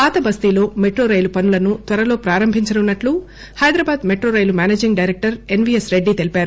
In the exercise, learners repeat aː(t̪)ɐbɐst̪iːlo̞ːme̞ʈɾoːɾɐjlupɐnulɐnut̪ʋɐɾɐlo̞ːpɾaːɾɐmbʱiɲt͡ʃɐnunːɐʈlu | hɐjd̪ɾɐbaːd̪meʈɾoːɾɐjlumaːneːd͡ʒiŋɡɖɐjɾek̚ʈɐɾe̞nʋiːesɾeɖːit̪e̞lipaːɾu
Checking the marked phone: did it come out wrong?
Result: no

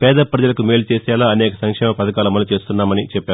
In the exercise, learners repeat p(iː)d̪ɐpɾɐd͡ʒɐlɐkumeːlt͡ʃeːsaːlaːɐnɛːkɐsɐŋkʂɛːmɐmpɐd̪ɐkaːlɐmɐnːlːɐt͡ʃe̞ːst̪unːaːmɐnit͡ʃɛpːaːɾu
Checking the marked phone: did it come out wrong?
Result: yes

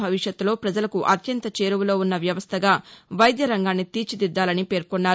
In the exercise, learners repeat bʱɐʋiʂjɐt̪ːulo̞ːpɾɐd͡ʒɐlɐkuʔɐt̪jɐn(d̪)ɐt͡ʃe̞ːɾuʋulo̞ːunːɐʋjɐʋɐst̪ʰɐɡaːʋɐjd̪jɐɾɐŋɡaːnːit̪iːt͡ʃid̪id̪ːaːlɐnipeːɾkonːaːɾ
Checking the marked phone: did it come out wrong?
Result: yes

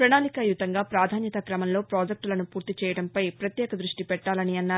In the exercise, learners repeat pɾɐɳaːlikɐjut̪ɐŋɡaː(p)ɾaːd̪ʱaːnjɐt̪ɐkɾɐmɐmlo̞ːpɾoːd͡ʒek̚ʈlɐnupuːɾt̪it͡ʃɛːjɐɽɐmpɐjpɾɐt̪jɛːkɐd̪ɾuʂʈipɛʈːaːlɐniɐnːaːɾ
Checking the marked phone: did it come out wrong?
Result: no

